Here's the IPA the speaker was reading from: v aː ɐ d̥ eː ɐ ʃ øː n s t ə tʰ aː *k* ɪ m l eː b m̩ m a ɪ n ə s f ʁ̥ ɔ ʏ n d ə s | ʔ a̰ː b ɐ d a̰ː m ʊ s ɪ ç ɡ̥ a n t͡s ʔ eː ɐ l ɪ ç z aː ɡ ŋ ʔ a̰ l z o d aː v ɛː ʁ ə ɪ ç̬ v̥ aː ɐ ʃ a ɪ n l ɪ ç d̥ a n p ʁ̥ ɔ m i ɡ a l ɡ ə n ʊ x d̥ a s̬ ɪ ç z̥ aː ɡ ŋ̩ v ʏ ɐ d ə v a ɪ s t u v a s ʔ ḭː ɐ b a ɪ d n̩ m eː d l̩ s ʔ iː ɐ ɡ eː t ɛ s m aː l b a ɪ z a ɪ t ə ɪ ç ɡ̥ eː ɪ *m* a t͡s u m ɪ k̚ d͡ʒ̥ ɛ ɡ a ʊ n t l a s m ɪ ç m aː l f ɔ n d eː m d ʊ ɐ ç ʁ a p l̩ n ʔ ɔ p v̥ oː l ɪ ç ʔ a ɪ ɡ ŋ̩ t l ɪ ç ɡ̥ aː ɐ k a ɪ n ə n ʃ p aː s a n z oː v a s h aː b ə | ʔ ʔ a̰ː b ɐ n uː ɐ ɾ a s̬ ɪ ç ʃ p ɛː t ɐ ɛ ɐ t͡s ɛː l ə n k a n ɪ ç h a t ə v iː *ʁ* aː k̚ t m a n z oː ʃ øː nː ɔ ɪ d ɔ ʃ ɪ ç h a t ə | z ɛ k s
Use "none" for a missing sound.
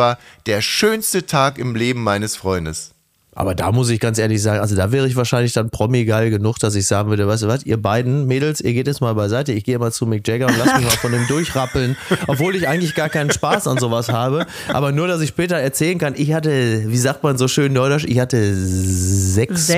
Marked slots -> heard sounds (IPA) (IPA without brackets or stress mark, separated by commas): k, m, z